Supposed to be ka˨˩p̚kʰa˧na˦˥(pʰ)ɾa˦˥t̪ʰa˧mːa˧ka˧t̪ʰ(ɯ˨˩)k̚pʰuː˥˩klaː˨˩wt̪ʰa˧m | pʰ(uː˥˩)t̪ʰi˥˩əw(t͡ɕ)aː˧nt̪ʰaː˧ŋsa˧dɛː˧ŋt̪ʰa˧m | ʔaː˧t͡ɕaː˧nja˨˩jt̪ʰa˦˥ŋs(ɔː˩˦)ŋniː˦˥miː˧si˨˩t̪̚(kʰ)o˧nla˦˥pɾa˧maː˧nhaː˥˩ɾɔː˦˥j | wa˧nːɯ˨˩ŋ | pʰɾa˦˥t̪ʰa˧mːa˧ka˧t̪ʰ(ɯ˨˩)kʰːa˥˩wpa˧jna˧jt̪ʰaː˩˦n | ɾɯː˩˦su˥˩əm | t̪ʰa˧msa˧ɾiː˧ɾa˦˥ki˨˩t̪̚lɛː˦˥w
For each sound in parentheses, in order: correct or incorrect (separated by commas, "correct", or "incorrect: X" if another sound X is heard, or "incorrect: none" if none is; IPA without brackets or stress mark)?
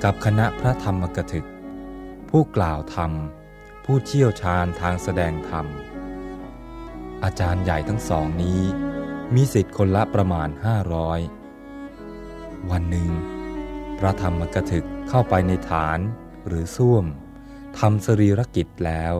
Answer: correct, correct, correct, incorrect: t͡ɕʰ, correct, correct, correct